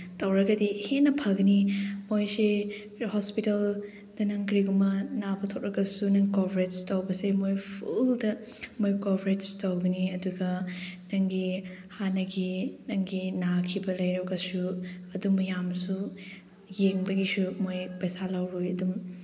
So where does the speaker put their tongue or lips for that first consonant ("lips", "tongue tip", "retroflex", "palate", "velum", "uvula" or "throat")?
tongue tip